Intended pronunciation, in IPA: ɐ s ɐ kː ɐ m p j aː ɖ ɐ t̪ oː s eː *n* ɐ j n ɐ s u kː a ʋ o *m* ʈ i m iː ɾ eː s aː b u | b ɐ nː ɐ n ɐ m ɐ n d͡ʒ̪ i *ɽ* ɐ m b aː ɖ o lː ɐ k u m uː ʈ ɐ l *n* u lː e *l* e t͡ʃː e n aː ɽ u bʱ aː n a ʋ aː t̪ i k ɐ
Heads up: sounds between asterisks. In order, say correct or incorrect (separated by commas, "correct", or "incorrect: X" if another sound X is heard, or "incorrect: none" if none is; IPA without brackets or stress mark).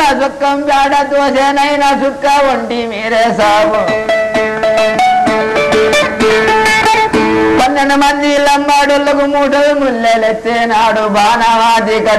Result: correct, incorrect: ɳ, incorrect: l, incorrect: m, correct